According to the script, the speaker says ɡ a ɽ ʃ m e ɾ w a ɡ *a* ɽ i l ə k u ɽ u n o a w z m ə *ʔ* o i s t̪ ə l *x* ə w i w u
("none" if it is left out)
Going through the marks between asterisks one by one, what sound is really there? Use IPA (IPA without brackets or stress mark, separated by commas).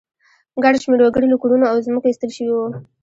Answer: ə, k, ʃ